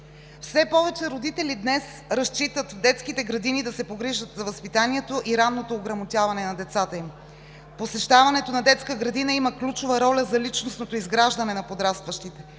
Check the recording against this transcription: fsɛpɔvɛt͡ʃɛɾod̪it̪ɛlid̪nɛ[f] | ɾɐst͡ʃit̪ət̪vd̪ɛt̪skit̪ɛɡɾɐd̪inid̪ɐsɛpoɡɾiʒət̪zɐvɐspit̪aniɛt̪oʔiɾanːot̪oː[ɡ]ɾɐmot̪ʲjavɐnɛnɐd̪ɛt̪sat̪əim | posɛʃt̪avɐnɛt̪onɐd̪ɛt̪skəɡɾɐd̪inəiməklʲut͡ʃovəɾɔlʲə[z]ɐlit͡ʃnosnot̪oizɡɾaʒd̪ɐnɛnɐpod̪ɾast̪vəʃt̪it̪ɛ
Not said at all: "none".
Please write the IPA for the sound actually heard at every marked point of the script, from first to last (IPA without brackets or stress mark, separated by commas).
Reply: s, ɡ, z